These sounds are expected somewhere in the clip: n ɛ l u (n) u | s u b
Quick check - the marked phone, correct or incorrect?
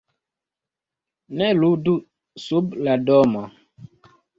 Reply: incorrect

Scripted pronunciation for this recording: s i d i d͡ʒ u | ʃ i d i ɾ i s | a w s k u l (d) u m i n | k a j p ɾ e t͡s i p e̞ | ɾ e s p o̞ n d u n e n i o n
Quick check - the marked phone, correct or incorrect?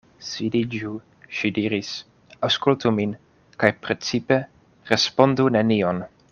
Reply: incorrect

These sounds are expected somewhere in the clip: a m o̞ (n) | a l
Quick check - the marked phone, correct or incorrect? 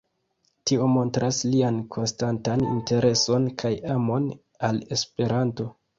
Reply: correct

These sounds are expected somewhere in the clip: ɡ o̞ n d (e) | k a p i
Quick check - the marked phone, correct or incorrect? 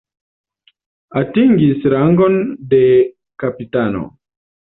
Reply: correct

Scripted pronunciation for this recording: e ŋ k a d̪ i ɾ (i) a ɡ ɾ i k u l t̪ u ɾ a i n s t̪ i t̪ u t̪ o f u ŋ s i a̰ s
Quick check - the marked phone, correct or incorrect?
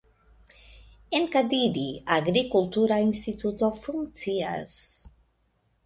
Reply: correct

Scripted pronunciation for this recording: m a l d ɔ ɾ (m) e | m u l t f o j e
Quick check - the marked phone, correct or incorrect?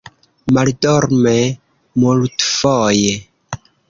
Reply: correct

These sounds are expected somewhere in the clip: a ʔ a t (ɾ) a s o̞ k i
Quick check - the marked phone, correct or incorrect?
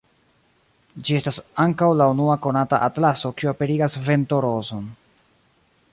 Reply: incorrect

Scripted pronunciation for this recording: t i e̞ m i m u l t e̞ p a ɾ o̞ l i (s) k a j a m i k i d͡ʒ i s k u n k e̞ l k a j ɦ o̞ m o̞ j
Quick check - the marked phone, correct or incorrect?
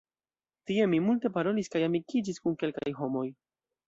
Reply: correct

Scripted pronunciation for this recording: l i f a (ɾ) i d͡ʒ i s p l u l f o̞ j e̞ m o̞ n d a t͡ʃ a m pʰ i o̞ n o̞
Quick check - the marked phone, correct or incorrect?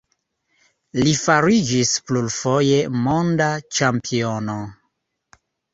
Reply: correct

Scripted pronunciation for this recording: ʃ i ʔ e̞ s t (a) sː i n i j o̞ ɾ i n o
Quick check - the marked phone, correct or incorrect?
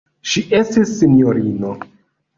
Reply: incorrect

